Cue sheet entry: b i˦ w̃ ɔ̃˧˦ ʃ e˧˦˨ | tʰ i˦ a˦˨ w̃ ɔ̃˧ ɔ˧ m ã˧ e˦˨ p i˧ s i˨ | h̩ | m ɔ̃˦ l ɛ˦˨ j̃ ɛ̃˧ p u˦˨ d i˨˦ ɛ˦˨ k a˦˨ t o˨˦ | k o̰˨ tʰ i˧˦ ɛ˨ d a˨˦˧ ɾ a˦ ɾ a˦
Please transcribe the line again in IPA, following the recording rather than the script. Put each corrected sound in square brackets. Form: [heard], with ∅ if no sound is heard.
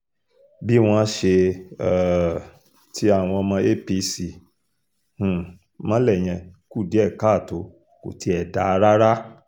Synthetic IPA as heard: b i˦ w̃ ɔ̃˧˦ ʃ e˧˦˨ | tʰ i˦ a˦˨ w̃ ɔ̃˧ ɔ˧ m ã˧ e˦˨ p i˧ s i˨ | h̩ | m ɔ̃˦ l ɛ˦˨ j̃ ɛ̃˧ [k] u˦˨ d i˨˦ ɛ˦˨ k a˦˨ t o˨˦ | k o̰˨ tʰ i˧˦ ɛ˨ d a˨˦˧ ɾ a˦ ɾ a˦